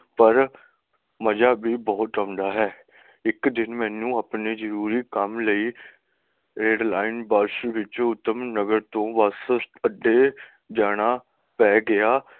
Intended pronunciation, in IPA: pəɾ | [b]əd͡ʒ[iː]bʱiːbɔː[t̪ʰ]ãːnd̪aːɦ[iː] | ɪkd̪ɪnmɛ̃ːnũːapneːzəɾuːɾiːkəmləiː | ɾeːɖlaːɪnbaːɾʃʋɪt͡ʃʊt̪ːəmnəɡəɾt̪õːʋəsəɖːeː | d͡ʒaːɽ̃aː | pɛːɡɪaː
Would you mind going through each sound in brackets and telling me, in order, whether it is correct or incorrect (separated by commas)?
incorrect, incorrect, incorrect, incorrect